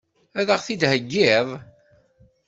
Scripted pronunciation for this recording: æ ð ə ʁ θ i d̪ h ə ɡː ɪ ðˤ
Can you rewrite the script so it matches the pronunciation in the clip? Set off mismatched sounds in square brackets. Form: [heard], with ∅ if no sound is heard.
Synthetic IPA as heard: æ ð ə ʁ θ i d̪ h ə ɡː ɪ ðˤ